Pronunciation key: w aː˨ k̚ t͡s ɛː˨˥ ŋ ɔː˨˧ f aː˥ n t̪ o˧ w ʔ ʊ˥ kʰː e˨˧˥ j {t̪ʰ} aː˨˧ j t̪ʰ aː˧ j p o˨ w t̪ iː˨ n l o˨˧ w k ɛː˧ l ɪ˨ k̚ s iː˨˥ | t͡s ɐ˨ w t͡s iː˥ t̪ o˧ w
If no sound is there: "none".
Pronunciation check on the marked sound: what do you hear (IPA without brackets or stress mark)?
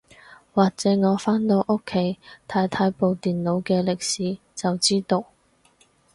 t̪ʰ